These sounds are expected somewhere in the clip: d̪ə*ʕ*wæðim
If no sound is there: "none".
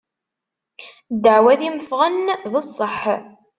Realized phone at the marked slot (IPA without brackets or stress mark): ʕ